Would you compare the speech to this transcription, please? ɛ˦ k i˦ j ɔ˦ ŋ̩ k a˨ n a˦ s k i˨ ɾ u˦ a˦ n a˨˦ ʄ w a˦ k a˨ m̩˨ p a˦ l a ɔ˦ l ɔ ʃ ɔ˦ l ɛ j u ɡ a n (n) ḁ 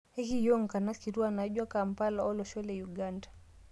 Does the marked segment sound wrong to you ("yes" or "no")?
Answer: yes